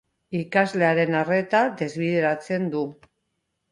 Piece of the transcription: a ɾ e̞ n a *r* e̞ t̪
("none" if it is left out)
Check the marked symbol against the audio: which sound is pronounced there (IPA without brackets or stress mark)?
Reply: r